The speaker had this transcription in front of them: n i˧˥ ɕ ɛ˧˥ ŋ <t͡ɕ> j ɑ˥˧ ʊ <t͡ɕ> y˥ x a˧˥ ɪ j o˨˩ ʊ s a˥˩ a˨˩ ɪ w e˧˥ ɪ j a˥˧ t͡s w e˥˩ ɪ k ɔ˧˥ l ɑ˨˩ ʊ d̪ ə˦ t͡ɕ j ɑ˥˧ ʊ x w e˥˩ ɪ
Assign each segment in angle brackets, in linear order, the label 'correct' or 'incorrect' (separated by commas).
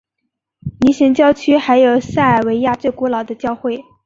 correct, incorrect